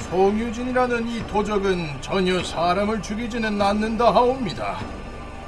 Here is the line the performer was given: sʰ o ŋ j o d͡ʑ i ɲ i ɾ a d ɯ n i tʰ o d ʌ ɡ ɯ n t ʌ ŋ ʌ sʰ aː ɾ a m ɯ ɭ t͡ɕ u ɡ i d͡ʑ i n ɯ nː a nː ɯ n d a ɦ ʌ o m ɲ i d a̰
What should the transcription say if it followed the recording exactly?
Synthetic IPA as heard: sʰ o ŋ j u d͡ʑ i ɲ i ɾ a n ɯ n i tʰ o d͡ʑ ʌ ɡ ɯ n t͡ɕ ʌ ɲ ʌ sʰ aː ɾ a m ɯ ɭ t͡ɕ u ɡ i d͡ʑ i n ɯ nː a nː ɯ n d a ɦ a o m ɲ i d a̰